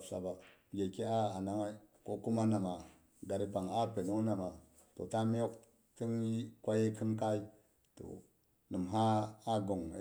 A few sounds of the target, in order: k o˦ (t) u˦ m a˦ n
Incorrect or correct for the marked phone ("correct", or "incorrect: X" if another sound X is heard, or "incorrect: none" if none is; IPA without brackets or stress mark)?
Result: incorrect: k